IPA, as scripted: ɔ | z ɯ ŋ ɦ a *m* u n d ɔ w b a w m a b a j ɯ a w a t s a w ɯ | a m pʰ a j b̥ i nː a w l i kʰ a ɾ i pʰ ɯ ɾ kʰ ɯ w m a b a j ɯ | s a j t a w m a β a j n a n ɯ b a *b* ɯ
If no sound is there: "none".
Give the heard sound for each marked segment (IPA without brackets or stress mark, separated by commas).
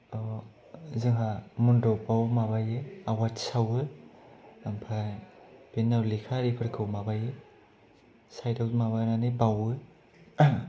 m, w